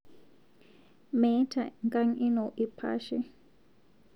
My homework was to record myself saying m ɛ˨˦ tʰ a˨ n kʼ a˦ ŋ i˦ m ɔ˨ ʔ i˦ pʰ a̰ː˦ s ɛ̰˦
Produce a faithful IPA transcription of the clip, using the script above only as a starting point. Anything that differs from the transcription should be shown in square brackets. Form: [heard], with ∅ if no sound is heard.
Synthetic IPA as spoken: m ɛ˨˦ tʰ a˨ [ŋ] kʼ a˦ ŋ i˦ [n] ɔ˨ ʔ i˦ pʰ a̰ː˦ [ʃ] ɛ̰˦